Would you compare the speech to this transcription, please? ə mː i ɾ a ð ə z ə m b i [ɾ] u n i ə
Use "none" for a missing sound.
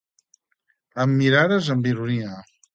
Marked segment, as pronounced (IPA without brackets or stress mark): ɾ